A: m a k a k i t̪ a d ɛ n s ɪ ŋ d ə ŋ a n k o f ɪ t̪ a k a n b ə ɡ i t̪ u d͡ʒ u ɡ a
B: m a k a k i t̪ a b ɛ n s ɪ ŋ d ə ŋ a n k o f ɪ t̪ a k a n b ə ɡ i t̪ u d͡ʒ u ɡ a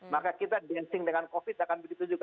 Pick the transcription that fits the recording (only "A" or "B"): A